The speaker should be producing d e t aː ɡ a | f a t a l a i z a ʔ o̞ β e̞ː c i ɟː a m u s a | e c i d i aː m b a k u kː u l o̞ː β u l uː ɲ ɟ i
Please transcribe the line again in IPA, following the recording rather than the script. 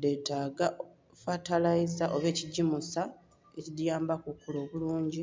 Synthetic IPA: d e t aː ɡ a | f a t a l a i z a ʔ o̞ β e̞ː c i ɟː i m u s a | e c i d j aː m b a k u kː u l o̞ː β u l uː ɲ ɟ i